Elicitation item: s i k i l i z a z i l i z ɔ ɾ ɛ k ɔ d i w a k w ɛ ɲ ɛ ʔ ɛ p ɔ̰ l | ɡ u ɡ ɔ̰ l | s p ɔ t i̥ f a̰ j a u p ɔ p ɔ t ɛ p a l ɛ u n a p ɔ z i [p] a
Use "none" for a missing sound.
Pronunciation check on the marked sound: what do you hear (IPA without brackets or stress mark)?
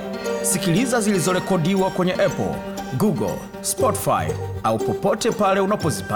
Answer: p